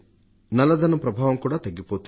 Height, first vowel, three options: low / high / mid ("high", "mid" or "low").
low